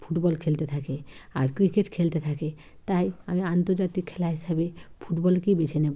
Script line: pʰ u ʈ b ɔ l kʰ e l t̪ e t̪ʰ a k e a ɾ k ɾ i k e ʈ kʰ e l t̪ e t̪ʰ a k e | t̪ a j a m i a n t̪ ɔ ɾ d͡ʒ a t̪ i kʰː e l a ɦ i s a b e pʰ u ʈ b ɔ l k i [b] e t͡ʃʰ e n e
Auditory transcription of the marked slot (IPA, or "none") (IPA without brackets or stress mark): b